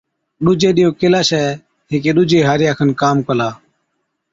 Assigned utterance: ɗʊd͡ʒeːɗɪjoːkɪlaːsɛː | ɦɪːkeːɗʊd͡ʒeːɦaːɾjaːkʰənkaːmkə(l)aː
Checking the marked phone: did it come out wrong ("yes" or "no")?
no